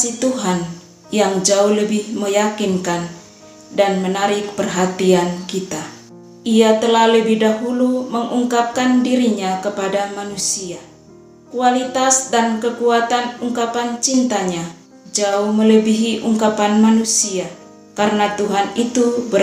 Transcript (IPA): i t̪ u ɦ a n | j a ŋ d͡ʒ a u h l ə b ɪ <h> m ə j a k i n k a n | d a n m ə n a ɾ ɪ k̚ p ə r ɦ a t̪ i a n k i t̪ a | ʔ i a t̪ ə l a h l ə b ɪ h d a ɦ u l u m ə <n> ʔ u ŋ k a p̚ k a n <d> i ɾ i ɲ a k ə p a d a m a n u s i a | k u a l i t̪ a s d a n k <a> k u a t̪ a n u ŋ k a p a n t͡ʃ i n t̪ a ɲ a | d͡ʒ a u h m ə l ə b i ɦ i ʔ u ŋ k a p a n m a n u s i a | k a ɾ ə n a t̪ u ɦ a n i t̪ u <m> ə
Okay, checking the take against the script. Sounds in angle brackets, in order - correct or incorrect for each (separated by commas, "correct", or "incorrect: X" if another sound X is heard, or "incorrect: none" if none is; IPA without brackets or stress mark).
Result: correct, incorrect: ŋ, correct, incorrect: ə, incorrect: b